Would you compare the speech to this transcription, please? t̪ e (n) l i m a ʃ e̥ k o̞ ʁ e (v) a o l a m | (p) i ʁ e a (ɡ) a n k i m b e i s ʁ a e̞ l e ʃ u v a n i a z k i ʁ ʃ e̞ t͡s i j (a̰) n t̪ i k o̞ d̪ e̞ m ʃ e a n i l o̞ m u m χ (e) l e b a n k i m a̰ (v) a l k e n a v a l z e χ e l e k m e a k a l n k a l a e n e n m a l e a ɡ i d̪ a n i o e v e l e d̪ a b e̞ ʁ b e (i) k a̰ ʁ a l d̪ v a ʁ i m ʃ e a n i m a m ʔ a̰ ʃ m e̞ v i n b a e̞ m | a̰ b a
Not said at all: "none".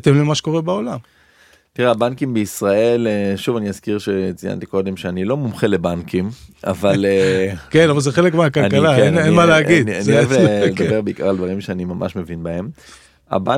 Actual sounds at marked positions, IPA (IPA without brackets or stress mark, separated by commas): m, b, t, b, a̰, e, v, i